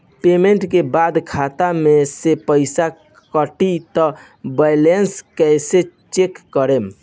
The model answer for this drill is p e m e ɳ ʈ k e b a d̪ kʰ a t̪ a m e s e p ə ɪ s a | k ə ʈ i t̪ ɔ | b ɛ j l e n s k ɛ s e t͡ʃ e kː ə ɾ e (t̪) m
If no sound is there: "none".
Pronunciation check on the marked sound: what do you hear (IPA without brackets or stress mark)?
none